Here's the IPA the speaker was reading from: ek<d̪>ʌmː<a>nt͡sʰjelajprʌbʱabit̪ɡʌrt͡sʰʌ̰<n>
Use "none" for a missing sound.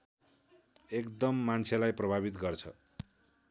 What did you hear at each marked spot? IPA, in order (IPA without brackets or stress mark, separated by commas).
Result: d̪, a, none